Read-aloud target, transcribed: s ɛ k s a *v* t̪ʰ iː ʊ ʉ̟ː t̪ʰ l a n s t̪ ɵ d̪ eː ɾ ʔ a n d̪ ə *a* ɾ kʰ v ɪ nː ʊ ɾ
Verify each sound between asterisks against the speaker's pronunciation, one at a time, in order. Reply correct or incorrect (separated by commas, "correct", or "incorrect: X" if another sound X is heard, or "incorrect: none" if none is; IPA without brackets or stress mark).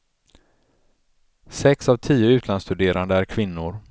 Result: correct, incorrect: æ